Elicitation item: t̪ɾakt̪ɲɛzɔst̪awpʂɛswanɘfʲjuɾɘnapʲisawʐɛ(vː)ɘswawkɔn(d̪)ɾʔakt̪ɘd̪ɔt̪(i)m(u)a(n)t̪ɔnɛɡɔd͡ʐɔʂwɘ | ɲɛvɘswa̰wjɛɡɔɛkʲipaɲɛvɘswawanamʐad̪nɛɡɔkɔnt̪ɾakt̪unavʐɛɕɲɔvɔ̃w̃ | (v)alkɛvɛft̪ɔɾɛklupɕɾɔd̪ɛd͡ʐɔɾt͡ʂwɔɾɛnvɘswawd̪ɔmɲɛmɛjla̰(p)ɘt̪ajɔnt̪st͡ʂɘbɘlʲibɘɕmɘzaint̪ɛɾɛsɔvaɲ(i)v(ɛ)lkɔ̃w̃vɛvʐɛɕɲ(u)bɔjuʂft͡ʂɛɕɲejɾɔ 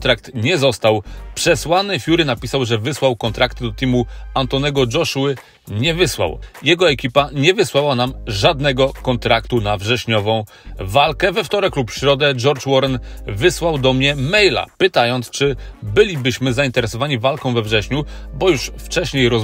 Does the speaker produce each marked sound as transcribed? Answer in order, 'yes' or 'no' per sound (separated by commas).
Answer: no, no, yes, yes, yes, yes, yes, yes, no, yes